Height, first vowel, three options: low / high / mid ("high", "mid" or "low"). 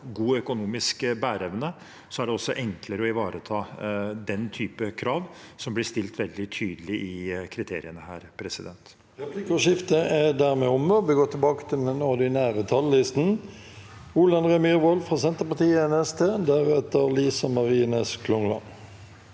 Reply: high